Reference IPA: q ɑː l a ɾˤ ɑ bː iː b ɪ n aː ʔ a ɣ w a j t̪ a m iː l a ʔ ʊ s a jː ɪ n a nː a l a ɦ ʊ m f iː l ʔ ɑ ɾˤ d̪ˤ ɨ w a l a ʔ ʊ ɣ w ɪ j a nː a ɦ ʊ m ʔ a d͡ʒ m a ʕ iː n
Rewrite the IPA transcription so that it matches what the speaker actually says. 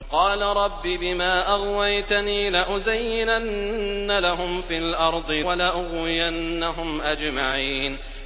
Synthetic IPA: q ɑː l a ɾˤ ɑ bː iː b ɪ m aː ʔ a ɣ w a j t̪ a n iː l a ʔ ʊ z a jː ɪ n a nː a l a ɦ ʊ m f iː l ʔ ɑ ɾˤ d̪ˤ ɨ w a l a ʔ ʊ ɣ w ɪ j a nː a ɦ ʊ m ʔ a d͡ʒ m a ʕ iː n

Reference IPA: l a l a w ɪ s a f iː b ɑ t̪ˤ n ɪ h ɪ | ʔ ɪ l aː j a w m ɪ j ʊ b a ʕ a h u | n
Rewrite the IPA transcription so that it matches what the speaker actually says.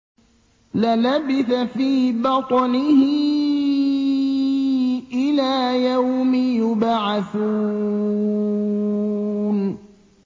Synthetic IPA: l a l a b ɪ θ a f iː b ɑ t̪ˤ n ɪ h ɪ | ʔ ɪ l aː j a w m ɪ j ʊ b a ʕ a θ u | n

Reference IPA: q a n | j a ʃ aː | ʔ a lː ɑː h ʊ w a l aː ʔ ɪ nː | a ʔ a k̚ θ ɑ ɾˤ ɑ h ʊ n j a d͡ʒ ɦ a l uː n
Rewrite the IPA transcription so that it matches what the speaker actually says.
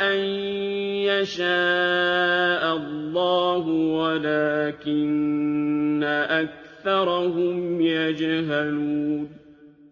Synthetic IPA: ʔ a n | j a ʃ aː | ʔ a lː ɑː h ʊ w a l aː k ɪ nː | a ʔ a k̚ θ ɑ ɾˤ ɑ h ʊ m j a d͡ʒ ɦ a l uː n

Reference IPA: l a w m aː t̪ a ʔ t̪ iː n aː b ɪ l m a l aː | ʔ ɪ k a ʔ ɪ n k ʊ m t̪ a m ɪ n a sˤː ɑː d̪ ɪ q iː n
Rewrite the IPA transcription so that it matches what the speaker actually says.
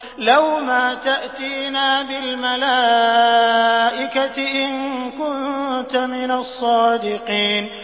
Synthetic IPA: l a w m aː t̪ a ʔ t̪ iː n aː b ɪ l m a l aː | ʔ ɪ k a ʔ ɪ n k ʊ n t̪ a m ɪ n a sˤː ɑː d̪ ɪ q iː n

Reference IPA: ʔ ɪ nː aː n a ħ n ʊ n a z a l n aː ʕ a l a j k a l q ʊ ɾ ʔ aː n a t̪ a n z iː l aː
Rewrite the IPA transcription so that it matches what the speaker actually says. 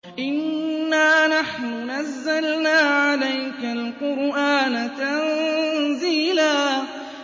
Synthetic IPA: ʔ ɪ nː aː n a ħ n ʊ n a zː a l n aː ʕ a l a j k a l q ʊ ɾ ʔ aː n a t̪ a n z iː l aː

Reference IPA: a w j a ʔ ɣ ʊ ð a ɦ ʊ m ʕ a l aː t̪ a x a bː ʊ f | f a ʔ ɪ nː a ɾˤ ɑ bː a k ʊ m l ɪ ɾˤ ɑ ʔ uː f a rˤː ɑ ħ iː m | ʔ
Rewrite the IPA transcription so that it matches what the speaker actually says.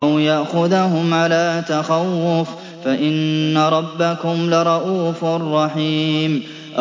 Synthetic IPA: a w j a ʔ x ʊ ð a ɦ ʊ m ʕ a l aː t̪ a x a wː ʊ f | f a ʔ ɪ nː a ɾˤ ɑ bː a k ʊ m l ɪ ɾˤ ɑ ʔ uː f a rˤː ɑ ħ iː m | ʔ

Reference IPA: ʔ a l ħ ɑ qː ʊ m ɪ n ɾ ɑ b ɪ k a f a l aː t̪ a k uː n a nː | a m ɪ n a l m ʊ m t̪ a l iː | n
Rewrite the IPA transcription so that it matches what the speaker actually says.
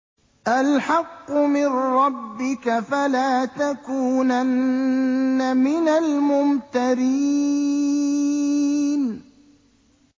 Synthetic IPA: ʔ a l ħ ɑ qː ʊ m ɪ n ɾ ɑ bː ɪ k a f a l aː t̪ a k uː n a nː | a m ɪ n a l m ʊ m t̪ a ɾ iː | n

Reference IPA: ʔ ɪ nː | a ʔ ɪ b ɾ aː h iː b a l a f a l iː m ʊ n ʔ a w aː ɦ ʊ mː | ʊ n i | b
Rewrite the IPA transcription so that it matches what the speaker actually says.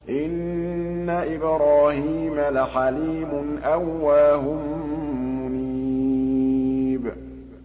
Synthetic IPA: ʔ ɪ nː | a ʔ ɪ b ɾ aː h iː m a l a ħ a l iː m ʊ n ʔ a wː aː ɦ ʊ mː | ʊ n i | b

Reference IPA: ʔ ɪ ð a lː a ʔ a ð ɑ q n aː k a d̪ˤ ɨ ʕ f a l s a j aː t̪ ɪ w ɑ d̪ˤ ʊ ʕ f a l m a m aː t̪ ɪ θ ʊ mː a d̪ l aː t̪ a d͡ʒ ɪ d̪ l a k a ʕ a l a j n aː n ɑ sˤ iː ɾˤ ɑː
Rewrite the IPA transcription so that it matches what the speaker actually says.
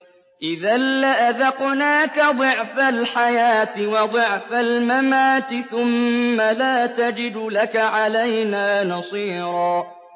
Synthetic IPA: ʔ ɪ ð a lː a ʔ a ð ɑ q n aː k a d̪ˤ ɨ ʕ f a l ħ a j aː t̪ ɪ w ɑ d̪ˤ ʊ ʕ f a l m a m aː t̪ ɪ θ ʊ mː a l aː t̪ a d͡ʒ ɪ d̪ l a k a ʕ a l a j n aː n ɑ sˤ iː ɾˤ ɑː

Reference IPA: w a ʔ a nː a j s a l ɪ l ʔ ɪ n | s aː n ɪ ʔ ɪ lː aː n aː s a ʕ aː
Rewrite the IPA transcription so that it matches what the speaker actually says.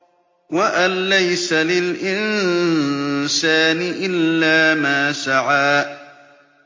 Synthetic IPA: w a ʔ a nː a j s a l ɪ l ʔ ɪ n | s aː n ɪ ʔ ɪ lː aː m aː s a ʕ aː

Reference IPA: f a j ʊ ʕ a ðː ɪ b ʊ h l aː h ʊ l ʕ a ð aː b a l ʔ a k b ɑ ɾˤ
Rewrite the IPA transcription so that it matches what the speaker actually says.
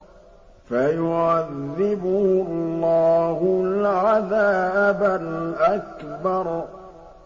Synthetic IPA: f a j ʊ ʕ a ðː ɪ b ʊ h lː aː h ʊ l ʕ a ð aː b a l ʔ a k b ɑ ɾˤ

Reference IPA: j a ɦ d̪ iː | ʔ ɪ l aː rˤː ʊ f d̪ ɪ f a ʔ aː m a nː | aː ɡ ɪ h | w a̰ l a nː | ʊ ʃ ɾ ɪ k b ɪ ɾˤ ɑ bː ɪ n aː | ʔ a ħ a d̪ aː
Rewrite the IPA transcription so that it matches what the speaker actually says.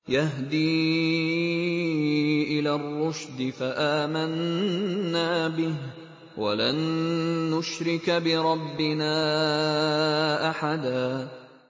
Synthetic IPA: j a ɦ d̪ iː | ʔ ɪ l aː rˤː ʊ ʃ d̪ ɪ f a ʔ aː m a nː | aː b ɪ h | w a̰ l a nː | ʊ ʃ ɾ ɪ k b ɪ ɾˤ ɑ bː ɪ n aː | ʔ a ħ a d̪ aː

